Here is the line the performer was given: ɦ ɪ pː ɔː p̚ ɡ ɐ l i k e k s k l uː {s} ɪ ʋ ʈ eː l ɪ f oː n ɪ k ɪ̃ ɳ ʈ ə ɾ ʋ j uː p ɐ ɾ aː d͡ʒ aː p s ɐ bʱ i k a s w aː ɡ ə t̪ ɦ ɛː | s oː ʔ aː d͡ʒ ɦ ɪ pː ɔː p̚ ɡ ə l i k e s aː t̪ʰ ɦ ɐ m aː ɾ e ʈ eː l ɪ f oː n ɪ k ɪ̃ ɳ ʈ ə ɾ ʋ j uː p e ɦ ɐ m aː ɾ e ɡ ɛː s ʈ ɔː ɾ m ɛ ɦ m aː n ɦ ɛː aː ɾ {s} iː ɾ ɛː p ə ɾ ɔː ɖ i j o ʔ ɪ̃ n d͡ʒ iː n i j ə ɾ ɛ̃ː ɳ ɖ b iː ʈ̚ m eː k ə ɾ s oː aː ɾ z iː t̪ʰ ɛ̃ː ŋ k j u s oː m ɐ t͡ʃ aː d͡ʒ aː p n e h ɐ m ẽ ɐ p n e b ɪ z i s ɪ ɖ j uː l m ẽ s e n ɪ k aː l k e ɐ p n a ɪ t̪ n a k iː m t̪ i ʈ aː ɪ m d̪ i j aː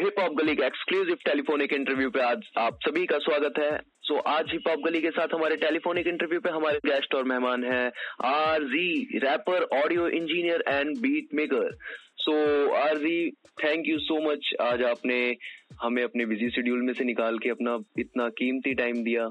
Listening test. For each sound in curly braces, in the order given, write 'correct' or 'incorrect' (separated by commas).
incorrect, incorrect